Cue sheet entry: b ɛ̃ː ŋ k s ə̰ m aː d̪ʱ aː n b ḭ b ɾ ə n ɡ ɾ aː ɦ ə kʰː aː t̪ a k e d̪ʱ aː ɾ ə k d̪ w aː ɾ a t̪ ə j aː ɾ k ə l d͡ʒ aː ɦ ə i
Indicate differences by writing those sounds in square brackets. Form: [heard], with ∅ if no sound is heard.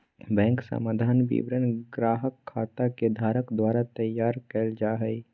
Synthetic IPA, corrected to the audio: b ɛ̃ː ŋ k s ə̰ m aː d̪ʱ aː n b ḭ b ɾ ə n ɡ ɾ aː ɦ ə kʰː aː t̪ a k e d̪ʱ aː ɾ ə k d̪ w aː ɾ a t̪ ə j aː ɾ k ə l d͡ʒ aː ɦ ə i